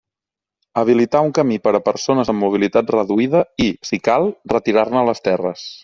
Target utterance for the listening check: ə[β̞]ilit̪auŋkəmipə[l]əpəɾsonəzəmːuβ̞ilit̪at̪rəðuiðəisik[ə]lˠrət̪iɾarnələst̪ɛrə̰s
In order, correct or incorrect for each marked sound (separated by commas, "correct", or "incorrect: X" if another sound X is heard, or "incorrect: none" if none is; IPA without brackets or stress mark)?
correct, incorrect: ɾ, incorrect: a